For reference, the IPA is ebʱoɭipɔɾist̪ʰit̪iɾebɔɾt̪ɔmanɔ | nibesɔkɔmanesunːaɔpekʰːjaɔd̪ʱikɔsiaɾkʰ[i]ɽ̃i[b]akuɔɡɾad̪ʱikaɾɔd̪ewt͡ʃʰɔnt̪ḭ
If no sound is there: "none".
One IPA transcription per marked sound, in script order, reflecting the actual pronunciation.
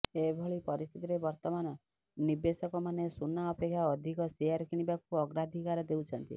i, b

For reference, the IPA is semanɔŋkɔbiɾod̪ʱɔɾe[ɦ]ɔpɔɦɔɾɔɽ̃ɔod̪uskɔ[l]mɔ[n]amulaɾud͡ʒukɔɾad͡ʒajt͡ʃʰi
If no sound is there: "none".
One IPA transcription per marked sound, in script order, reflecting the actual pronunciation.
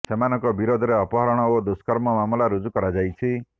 none, ɾ, m

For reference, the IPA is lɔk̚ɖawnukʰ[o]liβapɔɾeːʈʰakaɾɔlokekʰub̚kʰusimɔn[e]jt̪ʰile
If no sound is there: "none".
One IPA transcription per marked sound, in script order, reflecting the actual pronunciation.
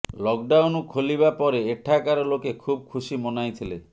o, a

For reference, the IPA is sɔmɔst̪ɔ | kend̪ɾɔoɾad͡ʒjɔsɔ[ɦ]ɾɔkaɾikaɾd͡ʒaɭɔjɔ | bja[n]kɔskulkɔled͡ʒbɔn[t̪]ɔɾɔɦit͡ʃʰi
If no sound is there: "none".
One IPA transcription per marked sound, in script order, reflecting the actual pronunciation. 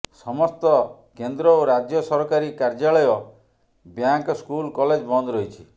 none, ŋ, d̪

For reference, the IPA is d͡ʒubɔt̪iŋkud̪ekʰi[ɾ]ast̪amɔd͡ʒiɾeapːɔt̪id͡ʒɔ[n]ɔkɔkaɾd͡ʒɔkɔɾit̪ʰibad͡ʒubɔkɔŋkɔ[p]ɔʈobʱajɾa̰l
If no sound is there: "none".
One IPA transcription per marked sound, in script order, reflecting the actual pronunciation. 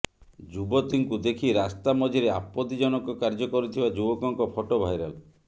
ɾ, n, pʰ

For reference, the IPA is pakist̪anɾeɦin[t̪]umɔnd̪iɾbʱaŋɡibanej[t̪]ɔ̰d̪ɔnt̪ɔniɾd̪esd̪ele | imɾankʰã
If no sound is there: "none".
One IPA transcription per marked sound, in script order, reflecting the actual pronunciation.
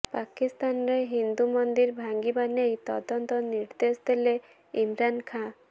d̪, t̪

